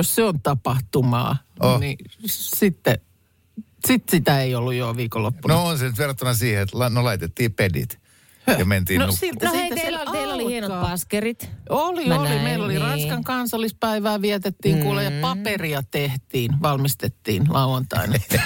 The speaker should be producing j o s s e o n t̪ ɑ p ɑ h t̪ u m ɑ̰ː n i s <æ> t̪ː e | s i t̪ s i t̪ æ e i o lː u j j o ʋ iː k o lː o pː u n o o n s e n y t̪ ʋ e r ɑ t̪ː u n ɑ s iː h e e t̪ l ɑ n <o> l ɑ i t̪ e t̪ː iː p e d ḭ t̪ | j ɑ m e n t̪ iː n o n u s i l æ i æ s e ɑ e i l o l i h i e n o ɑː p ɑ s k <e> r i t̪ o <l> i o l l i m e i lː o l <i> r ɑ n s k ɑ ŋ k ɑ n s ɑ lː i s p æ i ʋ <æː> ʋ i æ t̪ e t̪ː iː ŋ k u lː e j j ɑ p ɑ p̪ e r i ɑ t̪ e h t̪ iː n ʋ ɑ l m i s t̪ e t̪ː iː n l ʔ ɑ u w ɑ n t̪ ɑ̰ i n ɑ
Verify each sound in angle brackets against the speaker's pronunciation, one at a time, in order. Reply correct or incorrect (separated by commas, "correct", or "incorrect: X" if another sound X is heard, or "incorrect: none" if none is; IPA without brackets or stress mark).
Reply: incorrect: i, correct, correct, correct, correct, correct